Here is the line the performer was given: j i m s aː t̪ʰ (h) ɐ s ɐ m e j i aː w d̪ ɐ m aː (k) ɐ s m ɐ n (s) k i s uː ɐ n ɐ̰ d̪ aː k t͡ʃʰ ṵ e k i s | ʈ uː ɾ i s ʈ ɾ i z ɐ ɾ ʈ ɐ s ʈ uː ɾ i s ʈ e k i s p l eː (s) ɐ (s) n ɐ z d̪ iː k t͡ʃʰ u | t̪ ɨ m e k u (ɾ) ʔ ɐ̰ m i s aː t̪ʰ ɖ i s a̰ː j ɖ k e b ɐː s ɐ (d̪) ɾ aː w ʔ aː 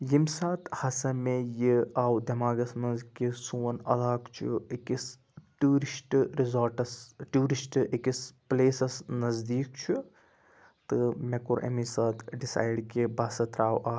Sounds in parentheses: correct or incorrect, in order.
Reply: correct, incorrect, incorrect, correct, correct, correct, incorrect

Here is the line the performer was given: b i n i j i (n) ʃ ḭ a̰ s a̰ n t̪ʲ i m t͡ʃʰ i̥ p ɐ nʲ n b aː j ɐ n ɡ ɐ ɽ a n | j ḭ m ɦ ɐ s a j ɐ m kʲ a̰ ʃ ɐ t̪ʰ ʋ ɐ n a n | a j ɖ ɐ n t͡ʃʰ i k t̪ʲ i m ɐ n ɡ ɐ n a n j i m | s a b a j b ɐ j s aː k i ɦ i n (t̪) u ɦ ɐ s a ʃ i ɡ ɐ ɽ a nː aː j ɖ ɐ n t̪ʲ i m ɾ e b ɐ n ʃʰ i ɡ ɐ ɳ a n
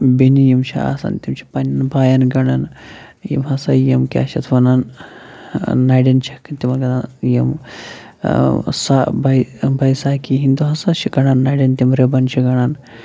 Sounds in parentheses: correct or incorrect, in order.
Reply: incorrect, incorrect

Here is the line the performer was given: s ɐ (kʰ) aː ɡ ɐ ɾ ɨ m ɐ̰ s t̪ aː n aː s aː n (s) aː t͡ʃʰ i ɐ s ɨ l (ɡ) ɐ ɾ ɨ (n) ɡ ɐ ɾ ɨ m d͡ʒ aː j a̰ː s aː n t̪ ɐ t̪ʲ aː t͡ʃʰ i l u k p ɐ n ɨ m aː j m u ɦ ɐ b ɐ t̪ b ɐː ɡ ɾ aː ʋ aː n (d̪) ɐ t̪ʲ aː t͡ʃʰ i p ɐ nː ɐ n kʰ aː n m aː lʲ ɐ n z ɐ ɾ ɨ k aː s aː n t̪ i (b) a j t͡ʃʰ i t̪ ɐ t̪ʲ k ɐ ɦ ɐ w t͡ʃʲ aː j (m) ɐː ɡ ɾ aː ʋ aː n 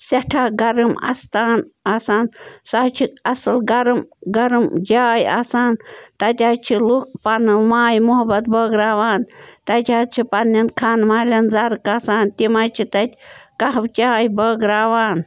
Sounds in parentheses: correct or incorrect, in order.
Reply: incorrect, correct, correct, incorrect, incorrect, incorrect, incorrect

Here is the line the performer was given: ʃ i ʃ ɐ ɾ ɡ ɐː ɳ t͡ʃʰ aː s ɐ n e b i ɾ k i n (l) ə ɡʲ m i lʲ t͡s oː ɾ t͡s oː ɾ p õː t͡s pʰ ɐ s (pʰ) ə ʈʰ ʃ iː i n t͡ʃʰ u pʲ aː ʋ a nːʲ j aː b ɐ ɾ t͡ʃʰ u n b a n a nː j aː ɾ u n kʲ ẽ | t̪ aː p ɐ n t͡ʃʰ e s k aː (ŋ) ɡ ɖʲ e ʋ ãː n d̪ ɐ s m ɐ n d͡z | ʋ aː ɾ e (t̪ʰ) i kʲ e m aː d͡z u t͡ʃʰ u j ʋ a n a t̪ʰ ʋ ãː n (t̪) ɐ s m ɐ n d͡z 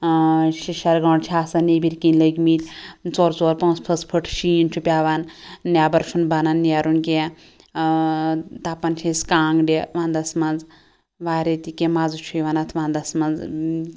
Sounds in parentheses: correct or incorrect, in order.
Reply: correct, correct, correct, incorrect, incorrect

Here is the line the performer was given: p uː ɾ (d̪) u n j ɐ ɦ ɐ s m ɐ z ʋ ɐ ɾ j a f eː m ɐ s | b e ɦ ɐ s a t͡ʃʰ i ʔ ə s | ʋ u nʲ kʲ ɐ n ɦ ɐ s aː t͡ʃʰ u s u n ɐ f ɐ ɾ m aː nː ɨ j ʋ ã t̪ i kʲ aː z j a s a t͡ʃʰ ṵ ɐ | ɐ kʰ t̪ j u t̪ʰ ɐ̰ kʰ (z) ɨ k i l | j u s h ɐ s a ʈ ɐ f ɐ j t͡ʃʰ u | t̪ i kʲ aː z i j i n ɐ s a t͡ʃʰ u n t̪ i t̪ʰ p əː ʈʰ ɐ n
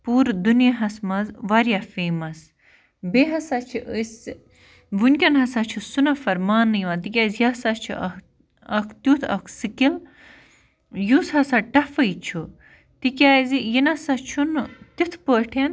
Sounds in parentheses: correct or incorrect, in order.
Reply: correct, incorrect

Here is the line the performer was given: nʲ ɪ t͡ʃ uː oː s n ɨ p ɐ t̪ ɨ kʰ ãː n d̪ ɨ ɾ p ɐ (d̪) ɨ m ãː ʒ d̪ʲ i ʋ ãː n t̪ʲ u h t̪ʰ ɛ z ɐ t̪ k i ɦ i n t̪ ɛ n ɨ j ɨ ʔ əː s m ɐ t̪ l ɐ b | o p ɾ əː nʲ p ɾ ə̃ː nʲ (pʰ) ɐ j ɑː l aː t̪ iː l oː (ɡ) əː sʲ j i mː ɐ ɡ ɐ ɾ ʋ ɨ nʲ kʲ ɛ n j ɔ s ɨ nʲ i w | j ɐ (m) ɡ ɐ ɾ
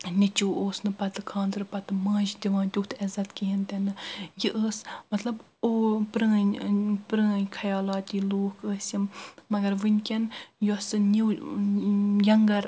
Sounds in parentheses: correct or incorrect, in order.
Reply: incorrect, incorrect, incorrect, incorrect

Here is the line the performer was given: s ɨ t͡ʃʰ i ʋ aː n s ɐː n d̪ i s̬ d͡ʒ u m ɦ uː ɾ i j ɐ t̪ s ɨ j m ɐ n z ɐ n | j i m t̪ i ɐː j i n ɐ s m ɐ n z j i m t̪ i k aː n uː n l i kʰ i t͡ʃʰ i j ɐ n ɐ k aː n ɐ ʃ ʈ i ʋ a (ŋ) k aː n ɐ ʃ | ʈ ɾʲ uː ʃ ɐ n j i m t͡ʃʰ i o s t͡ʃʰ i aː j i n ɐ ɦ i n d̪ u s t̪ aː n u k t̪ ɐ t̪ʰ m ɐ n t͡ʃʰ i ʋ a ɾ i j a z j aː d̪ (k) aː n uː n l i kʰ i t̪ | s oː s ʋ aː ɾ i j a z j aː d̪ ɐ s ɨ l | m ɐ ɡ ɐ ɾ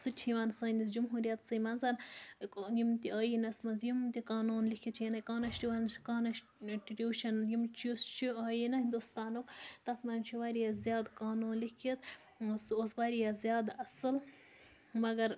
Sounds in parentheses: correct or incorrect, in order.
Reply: incorrect, correct

